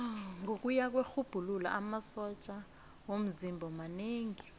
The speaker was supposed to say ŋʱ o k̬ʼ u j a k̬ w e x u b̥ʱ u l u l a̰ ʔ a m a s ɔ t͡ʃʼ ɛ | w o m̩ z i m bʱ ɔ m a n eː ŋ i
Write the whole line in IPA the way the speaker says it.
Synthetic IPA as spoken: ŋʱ o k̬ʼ u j a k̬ w e x u b̥ʱ u l u l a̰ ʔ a m a s ɔ t͡ʃʼ a | w o m̩ z i m bʱ ɔ m a n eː ŋ i